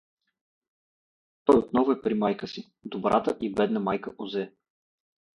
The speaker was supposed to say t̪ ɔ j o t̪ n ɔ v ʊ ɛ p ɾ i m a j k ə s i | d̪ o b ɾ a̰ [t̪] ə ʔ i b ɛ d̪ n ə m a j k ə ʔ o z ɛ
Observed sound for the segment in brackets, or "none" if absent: t̪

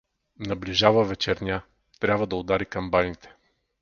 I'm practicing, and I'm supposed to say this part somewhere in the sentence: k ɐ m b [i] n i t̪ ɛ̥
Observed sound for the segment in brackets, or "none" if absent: a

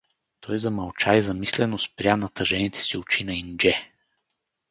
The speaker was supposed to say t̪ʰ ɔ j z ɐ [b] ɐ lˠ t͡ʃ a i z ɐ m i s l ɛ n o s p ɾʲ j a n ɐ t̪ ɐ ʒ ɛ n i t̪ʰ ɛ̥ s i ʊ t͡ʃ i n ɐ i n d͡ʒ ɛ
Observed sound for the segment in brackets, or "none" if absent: m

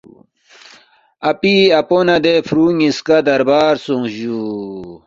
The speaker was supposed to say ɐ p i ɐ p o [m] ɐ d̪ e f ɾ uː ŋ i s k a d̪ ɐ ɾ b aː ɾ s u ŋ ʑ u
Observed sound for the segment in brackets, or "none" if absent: n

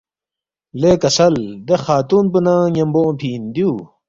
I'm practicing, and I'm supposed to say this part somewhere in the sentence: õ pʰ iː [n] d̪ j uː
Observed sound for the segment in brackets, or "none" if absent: n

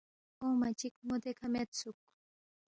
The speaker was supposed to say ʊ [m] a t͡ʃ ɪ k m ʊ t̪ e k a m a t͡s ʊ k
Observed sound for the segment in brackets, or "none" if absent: m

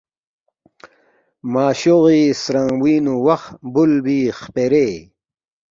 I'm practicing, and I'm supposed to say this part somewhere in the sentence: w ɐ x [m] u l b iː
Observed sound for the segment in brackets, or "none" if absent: b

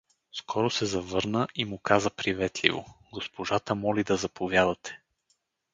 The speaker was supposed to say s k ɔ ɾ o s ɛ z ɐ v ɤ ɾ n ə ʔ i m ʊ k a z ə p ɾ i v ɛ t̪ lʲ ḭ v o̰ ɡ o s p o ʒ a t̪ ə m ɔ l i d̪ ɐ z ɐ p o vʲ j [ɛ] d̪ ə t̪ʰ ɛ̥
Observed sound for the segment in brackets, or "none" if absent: a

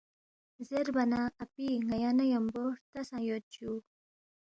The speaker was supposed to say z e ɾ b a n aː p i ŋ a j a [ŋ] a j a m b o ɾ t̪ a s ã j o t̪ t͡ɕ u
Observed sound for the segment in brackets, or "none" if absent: n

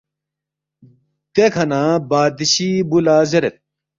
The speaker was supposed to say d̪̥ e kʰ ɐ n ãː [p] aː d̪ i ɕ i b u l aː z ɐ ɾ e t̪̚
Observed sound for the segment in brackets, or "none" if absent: b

